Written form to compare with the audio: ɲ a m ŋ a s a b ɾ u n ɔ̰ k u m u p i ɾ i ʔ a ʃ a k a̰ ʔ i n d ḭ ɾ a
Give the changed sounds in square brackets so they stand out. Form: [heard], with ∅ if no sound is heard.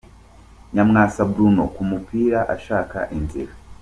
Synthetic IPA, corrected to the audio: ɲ a m ŋ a s a b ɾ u n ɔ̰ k u m u p i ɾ [a] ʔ a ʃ a k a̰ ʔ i n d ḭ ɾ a